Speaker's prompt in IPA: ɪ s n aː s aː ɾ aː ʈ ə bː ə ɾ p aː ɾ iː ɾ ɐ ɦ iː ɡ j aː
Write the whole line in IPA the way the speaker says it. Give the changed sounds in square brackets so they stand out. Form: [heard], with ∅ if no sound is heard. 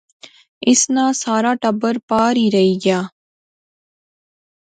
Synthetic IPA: ɪ s n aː s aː ɾ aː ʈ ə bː ə ɾ p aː ɾ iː ɾ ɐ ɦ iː ɡ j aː

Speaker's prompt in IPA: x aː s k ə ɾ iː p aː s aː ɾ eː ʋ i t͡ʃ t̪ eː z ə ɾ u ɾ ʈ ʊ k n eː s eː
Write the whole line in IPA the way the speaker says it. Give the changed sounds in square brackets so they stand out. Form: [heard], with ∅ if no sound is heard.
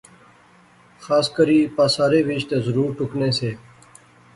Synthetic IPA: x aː s k ə ɾ iː p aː s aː ɾ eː ʋ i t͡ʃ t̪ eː z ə ɾ [uː] ɾ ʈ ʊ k n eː s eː

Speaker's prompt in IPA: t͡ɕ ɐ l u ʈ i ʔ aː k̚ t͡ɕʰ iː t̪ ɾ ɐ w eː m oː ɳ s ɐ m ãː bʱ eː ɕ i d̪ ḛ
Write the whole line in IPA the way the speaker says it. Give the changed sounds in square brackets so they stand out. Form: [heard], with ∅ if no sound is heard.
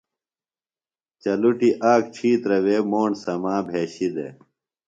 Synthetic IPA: t͡ɕ ɐ l u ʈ i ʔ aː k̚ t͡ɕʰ iː t̪ ɾ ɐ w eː m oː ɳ s ɐ m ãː bʱ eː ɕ i d̪ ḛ

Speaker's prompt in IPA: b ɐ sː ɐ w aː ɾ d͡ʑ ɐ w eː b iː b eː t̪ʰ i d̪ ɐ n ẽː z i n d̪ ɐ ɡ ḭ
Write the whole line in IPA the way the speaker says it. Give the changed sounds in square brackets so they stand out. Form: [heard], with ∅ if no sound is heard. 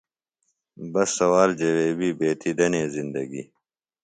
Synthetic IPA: b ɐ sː ɐ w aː [l] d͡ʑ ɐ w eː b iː b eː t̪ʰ i d̪ ɐ n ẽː z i n d̪ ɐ ɡ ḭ

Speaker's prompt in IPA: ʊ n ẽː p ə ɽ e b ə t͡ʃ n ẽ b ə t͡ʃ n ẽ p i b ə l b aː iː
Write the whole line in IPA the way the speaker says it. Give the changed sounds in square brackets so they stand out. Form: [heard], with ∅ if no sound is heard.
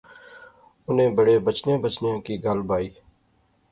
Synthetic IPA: ʊ n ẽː [b] ə ɽ e b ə t͡ʃ n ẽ b ə t͡ʃ n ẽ [k] i [ɡ] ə l b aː iː

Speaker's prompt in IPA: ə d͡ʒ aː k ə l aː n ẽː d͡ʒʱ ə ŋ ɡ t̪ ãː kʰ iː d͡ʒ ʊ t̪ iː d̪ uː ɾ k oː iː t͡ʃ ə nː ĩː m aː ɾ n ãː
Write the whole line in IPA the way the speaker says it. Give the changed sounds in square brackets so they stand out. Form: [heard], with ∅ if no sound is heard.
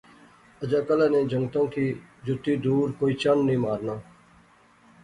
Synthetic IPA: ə d͡ʒ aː k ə l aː n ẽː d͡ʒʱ ə ŋ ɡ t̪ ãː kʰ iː d͡ʒ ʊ t̪ iː d̪ uː ɾ k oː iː t͡ʃ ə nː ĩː m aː ɾ n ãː

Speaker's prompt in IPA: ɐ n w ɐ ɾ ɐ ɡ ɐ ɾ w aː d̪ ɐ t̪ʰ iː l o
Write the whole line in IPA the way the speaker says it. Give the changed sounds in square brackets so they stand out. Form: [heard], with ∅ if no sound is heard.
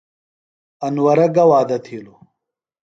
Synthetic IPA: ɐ n w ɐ ɾ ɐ ɡ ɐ [∅] w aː d̪ ɐ t̪ʰ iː l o

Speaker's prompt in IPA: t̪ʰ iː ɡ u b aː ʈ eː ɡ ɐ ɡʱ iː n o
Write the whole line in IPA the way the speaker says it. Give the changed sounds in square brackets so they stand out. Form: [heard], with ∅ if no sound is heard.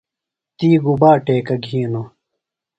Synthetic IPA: [t̪] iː ɡ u b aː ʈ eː [k] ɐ ɡʱ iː n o

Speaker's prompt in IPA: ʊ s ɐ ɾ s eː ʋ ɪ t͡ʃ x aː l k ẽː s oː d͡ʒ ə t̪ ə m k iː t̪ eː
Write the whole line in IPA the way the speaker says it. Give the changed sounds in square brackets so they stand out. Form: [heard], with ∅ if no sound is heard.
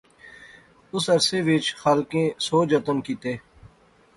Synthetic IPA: ʊ s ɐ ɾ s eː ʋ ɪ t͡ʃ x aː l k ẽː s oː d͡ʒ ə t̪ ə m k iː t̪ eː

